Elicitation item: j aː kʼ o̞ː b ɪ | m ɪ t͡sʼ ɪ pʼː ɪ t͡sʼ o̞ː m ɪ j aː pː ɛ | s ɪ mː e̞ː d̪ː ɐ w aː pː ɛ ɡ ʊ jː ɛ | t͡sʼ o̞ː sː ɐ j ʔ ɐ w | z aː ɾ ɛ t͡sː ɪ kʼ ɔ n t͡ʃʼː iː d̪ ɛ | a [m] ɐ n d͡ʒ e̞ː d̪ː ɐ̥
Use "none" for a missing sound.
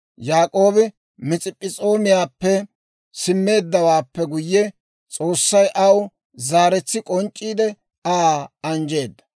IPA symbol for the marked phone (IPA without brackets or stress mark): none